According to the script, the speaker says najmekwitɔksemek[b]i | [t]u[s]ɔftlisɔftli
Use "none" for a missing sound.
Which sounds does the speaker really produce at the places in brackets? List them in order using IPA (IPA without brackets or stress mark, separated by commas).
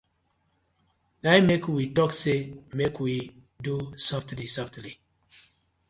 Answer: w, d, s